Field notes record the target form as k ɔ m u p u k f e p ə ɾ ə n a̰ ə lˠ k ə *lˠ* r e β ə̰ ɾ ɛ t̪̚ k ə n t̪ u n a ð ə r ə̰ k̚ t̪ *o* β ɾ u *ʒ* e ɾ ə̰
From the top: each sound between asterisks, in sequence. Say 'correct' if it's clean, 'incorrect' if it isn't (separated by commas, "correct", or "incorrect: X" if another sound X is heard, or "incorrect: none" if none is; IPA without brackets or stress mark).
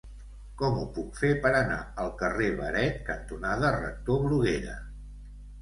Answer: incorrect: none, correct, incorrect: ɣ